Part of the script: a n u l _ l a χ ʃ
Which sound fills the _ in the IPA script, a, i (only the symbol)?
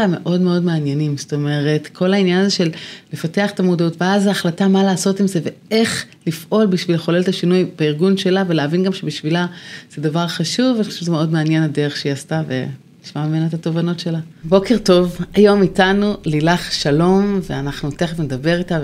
i